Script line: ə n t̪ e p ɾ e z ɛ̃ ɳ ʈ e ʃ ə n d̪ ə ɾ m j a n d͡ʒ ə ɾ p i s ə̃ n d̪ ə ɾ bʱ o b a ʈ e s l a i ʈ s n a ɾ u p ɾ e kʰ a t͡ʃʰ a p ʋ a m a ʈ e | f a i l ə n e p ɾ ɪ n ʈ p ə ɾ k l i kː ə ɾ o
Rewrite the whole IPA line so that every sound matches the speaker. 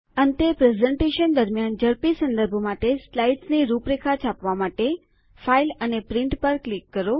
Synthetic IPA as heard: ə n t̪ e p ɾ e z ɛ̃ ɳ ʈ e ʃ ə n d̪ ə ɾ m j a n d͡ʒ ə ɾ p i s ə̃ n d̪ ə ɾ bʱ o m a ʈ e s l a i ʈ s n i ɾ u p ɾ e kʰ a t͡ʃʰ a p ʋ a m a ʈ e | f a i l ə n e p ɾ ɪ ɳ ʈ p ə ɾ k l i kː ə ɾ o